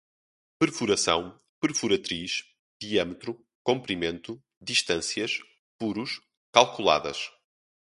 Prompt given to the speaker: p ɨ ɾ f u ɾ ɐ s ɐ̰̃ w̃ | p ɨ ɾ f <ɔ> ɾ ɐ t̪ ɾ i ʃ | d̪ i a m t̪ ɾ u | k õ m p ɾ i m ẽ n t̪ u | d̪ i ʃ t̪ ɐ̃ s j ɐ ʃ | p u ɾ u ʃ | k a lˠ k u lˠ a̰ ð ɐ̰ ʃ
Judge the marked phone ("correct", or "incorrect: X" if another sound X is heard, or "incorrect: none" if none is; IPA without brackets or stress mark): incorrect: u